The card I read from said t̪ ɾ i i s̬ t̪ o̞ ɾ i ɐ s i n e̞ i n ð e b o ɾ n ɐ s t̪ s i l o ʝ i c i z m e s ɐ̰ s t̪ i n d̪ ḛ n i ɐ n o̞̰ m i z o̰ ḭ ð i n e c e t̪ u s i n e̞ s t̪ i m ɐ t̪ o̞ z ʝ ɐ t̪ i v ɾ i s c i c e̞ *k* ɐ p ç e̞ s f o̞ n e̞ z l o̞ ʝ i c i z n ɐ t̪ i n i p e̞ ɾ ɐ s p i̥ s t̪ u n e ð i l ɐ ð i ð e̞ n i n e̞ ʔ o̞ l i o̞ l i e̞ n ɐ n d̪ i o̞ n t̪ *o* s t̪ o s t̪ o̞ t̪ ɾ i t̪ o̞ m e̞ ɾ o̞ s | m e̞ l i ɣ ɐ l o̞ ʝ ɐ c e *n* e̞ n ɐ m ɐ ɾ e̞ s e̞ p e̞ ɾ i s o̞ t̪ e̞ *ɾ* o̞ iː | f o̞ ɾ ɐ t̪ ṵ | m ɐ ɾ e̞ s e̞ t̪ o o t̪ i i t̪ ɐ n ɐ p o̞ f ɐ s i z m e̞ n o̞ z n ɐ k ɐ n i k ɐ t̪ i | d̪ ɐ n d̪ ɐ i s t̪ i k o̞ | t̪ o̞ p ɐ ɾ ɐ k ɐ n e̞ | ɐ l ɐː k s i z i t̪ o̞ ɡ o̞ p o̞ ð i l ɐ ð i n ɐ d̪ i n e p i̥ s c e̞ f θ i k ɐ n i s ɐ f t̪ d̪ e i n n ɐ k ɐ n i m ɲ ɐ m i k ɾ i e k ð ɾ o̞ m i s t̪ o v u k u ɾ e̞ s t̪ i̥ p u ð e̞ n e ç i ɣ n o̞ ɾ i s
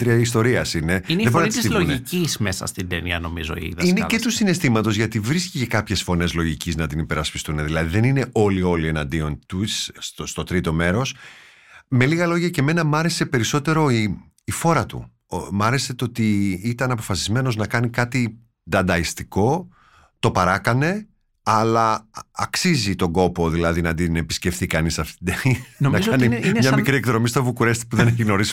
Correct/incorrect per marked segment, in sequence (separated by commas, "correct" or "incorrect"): correct, incorrect, incorrect, correct